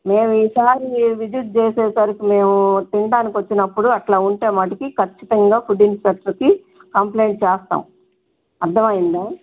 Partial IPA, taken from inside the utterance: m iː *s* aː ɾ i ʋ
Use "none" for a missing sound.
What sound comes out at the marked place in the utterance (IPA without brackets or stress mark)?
s